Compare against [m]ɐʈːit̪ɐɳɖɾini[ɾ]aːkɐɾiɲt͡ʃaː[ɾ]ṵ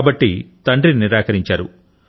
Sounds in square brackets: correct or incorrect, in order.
incorrect, correct, correct

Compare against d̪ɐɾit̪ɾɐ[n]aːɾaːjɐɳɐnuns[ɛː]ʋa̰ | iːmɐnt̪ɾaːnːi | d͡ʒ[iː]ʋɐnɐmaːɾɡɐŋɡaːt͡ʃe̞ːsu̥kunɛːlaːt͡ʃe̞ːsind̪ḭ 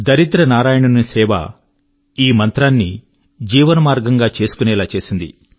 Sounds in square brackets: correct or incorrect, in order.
correct, correct, correct

